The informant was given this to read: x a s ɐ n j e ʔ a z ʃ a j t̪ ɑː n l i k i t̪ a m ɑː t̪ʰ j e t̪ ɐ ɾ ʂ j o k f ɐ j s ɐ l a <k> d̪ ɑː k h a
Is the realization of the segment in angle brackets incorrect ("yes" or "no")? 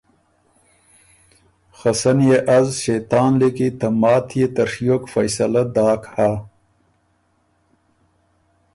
yes